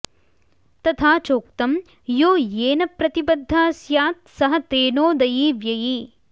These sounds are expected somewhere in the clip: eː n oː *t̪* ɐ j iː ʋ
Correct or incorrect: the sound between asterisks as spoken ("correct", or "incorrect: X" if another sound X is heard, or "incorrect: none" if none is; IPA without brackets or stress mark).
incorrect: d̪